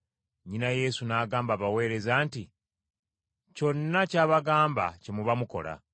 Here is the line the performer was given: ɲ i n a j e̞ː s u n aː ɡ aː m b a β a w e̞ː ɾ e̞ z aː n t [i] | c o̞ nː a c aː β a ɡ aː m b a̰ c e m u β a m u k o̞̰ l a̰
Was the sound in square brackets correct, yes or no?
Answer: yes